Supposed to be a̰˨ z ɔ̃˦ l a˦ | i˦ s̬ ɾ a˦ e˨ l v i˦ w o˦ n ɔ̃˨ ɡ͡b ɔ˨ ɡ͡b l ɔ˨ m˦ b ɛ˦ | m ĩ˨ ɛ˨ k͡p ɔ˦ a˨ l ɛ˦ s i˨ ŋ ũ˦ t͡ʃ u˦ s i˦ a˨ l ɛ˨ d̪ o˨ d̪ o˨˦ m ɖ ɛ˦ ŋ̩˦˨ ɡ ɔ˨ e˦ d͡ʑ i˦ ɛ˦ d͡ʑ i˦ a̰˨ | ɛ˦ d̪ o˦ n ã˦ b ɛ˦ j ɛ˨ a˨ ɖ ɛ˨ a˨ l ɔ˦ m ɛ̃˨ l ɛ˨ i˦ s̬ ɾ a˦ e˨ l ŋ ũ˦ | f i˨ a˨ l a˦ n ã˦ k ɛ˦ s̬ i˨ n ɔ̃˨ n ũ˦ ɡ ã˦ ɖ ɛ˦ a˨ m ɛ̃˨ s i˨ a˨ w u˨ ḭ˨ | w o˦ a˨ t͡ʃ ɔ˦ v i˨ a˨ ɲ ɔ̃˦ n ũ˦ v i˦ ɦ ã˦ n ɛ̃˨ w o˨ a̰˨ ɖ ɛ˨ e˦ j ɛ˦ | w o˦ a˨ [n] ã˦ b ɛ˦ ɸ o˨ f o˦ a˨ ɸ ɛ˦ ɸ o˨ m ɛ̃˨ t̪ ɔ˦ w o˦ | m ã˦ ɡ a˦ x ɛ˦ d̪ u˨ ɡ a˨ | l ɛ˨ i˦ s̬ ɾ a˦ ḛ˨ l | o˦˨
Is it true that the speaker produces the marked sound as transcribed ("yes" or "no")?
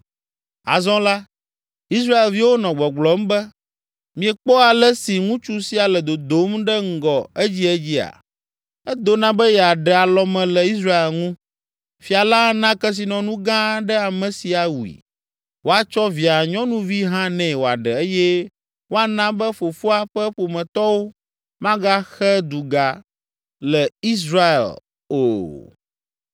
yes